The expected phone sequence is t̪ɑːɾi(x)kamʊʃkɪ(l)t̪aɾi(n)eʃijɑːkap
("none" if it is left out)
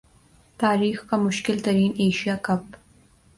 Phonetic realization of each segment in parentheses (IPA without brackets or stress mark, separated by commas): x, l, n